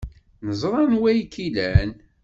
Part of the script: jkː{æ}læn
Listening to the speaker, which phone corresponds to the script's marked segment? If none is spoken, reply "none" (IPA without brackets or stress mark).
i